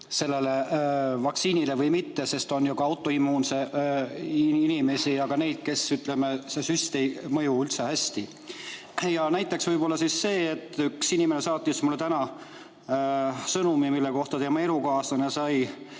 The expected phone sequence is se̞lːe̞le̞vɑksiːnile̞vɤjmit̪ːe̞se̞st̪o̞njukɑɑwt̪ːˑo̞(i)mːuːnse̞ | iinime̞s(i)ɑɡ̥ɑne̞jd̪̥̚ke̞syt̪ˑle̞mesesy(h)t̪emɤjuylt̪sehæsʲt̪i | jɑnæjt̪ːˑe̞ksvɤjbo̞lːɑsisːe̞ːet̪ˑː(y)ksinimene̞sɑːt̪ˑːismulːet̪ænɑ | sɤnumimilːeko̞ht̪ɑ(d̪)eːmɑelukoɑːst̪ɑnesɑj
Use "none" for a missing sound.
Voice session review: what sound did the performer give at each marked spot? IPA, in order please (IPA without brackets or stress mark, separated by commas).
i, i, s, y, t̪